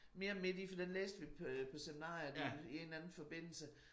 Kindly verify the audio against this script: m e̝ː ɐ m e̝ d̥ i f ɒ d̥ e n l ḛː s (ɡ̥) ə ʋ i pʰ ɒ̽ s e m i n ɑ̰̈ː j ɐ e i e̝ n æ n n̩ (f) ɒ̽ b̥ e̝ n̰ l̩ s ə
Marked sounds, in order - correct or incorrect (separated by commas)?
incorrect, correct